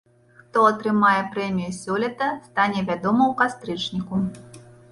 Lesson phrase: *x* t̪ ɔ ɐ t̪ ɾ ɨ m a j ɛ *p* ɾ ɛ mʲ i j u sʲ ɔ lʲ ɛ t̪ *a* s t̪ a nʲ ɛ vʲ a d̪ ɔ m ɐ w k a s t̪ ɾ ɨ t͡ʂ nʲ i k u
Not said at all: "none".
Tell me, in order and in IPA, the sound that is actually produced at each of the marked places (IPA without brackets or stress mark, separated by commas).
x, p, ɐ